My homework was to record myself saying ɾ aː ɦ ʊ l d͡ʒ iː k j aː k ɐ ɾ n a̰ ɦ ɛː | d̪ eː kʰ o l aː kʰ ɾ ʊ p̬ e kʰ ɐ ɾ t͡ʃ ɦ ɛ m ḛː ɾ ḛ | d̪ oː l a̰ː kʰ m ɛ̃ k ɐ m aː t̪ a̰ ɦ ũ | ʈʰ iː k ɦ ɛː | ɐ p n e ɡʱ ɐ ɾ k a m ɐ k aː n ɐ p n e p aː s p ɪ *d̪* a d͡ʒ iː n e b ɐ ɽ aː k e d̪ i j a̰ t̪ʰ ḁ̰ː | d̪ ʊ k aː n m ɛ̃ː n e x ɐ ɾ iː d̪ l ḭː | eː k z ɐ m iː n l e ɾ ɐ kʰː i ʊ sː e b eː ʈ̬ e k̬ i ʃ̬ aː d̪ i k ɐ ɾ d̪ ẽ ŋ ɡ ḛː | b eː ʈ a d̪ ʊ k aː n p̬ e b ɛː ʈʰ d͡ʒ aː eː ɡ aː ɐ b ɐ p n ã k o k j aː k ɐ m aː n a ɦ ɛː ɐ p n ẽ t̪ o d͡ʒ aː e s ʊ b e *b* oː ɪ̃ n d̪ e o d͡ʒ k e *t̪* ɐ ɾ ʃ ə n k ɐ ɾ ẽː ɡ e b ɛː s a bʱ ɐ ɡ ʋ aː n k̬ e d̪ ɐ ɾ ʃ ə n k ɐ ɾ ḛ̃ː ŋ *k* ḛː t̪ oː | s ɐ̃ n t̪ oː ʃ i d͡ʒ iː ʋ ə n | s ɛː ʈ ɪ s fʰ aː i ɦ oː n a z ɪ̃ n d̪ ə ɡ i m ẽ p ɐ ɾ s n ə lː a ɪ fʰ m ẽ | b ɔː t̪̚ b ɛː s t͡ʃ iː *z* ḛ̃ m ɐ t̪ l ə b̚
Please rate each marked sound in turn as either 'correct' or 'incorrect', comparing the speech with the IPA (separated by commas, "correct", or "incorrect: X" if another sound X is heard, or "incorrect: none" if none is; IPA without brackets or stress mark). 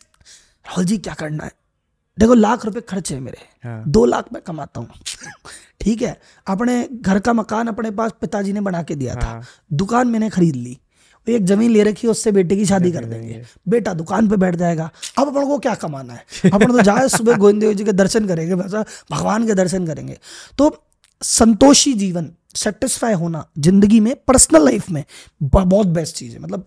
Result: incorrect: t̪, incorrect: ɡ, incorrect: d̪, incorrect: ɡ, correct